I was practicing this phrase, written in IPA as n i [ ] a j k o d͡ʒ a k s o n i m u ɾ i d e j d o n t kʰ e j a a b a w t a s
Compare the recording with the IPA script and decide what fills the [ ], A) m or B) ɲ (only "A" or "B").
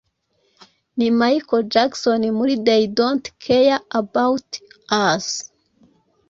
A